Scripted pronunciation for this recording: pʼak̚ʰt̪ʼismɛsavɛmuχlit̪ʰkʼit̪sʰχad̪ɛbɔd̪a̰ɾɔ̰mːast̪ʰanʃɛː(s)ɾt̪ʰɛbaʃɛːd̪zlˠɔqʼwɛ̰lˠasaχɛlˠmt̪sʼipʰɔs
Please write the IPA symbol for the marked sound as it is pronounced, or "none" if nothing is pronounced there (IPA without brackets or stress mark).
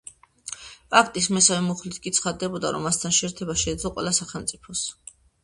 none